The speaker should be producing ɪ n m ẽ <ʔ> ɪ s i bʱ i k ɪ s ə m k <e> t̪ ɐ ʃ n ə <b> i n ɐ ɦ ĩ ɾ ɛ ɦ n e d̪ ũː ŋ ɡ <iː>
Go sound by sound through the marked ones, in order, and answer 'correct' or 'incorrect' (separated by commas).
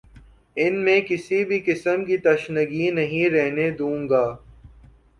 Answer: incorrect, incorrect, incorrect, incorrect